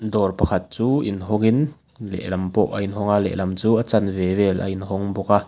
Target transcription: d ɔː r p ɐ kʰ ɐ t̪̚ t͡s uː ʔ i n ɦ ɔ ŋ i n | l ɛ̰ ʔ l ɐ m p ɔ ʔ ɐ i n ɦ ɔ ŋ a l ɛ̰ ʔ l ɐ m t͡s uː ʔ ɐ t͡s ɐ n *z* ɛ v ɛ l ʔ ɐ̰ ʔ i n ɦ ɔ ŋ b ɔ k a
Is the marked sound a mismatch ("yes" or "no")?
yes